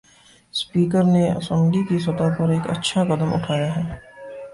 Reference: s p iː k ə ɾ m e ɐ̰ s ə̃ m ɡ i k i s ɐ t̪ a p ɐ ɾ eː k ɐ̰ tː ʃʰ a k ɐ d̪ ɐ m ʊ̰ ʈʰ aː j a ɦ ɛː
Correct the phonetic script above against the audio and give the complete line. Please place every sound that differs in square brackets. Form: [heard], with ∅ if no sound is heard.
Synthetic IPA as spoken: s p iː k ə ɾ [n] e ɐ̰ s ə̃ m ɡ i k i s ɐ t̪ a p ɐ ɾ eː k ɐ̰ tː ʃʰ a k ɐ d̪ [ə] m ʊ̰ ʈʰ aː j a ɦ ɛː